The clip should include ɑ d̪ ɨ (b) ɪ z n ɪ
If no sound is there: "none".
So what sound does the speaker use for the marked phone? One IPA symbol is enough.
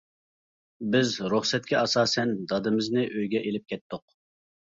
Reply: m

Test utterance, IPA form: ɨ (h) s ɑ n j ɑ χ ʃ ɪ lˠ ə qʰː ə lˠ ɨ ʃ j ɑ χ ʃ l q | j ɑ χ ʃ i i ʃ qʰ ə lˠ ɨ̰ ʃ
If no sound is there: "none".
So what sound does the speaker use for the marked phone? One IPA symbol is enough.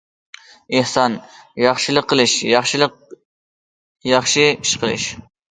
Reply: h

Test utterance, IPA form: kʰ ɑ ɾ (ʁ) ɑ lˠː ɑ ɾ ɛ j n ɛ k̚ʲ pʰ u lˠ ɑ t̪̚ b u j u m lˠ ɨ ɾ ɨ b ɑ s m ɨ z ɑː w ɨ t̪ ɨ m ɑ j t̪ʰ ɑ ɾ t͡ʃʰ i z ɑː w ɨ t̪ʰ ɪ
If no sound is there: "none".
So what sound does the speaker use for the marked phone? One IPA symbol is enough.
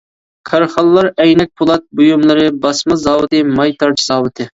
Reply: χ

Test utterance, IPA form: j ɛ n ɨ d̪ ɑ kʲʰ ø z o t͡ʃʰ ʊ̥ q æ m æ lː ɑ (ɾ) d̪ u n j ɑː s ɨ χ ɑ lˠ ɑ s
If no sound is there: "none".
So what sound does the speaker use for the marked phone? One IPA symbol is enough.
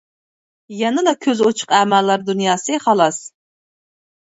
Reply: ɾ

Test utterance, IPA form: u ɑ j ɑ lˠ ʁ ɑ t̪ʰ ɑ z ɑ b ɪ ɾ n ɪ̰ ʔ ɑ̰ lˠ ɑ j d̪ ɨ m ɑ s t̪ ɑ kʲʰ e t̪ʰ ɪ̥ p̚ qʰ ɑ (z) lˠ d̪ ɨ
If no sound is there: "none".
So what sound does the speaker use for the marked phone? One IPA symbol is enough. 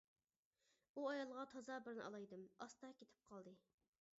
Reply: none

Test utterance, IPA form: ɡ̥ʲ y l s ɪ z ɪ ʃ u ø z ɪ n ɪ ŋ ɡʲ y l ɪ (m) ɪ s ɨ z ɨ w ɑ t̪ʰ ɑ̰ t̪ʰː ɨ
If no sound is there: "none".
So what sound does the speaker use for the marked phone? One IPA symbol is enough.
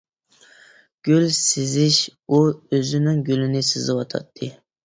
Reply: n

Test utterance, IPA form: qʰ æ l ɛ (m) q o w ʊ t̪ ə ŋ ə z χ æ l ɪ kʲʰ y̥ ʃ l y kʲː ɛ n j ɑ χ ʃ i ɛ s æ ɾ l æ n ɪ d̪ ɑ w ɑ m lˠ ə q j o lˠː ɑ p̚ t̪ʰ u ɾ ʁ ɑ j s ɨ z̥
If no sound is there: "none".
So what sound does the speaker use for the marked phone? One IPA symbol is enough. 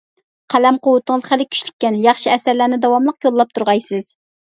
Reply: m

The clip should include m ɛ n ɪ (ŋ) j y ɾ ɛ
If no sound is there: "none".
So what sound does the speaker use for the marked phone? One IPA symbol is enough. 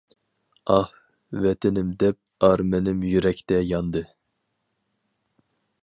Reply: m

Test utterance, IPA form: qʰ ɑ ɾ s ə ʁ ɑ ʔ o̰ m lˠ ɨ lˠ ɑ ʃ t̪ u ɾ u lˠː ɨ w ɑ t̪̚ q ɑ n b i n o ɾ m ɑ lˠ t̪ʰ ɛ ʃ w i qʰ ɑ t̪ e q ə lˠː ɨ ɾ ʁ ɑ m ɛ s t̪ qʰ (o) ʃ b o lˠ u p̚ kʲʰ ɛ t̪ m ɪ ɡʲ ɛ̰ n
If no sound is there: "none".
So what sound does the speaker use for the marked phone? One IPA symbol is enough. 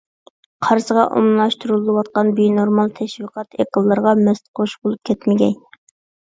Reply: o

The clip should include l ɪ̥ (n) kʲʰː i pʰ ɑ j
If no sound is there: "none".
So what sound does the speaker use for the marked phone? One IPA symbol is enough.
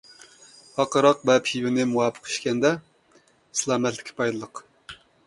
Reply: none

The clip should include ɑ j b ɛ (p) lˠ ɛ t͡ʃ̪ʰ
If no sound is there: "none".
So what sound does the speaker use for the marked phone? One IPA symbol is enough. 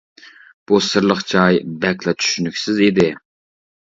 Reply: k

